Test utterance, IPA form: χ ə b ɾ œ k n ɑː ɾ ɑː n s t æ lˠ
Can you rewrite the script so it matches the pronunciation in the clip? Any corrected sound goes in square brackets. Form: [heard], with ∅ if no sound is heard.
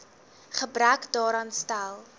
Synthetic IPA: χ ə b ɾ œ k [d] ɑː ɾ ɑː n s t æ lˠ

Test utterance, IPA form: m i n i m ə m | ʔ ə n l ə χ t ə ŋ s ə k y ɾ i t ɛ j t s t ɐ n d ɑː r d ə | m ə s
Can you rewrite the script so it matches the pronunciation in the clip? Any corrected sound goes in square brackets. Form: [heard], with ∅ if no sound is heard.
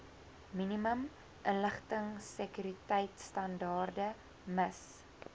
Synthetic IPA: m i n i m ə m | ʔ ə n l ə χ t ə ŋ s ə k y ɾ i t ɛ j t s t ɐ n d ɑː r d ə | m ə s

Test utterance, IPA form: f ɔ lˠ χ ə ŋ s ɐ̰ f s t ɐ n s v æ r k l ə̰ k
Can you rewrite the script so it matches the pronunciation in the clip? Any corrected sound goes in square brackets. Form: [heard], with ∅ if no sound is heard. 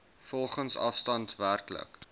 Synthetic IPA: f ɔ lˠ χ ə [n] s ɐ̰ f s t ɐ n [t] v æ r k l ə̰ k

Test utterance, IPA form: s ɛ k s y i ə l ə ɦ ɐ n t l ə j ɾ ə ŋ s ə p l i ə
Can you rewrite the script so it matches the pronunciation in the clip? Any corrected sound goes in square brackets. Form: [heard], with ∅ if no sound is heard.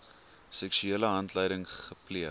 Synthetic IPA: s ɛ k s y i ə l ə ɦ ɐ n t l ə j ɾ ə ŋ [χ] ə p l i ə

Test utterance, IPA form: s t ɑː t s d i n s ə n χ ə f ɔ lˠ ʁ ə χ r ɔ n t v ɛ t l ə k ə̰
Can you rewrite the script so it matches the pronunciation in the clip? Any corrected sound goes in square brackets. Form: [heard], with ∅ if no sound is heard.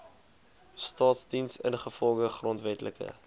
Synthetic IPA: s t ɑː t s d i n s ə n χ ə f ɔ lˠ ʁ ə χ r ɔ n t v ɛ t l ə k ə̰

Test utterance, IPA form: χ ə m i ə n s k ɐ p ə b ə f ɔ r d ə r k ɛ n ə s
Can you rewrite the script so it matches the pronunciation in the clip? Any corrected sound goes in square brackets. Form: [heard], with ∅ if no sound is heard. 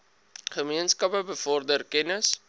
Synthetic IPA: χ ə m i ə n s k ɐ p ə b ə f ɔ r d ə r k ɛ n ə s

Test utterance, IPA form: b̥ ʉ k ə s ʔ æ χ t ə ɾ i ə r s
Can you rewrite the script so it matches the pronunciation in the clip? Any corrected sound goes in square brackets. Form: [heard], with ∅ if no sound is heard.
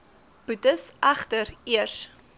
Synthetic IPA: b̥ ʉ [t] ə s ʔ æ χ t ə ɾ i ə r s

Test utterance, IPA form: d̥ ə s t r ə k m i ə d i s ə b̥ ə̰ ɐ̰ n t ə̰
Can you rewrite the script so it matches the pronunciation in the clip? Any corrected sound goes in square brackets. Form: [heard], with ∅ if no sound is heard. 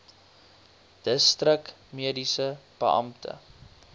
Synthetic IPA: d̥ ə s t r ə k m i ə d i s ə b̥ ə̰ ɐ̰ [m] t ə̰

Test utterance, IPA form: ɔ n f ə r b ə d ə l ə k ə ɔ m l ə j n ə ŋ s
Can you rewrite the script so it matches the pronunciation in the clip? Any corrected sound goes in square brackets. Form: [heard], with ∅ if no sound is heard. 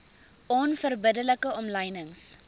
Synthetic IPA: ɔ n f ə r b ə d ə l ə k ə ɔ m l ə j n ə ŋ s

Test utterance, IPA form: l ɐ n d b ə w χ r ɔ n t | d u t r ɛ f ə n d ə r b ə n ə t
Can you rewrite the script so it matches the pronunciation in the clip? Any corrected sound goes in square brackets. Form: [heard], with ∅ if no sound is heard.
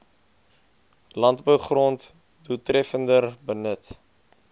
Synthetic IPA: l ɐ n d b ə w χ r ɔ n t | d u t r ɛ f ə n d ə r b ə n ə t

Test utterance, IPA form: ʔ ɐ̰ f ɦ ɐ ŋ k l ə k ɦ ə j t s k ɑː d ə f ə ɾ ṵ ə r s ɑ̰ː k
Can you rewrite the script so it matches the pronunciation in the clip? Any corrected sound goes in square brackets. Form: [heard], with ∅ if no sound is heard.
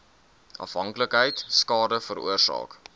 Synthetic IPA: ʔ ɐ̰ f ɦ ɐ ŋ k l ə k ɦ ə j t s k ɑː d ə f ə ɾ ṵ ə r s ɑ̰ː k

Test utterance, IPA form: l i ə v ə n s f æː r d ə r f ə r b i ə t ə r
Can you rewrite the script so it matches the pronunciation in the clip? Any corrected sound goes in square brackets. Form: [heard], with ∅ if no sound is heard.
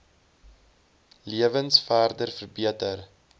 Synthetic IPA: l i ə v ə n s f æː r d ə r f ə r b i ə t ə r

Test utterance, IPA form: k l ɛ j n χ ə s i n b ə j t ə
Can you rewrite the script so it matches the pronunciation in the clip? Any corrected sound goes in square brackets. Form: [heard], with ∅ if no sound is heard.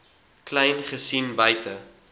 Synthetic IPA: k l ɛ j n χ ə s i n b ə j t ə

